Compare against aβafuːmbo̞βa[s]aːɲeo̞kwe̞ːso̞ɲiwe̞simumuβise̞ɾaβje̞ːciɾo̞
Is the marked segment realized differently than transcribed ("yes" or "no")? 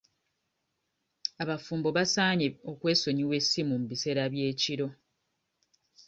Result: no